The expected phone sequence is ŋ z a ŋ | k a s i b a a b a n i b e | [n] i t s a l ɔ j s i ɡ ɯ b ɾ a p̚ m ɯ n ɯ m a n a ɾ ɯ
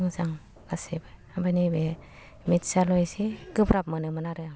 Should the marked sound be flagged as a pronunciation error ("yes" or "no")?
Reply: yes